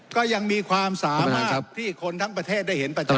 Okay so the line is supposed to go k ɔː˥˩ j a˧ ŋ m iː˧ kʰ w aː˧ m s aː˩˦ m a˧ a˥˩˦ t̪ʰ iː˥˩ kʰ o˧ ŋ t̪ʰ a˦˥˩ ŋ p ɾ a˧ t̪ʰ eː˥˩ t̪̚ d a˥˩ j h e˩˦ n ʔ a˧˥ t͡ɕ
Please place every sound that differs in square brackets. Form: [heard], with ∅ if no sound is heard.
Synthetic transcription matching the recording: k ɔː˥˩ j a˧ ŋ m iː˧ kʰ w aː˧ m s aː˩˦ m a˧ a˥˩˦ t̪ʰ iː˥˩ kʰ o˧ [n] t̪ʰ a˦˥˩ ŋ p ɾ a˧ t̪ʰ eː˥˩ t̪̚ d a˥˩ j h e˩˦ n [p] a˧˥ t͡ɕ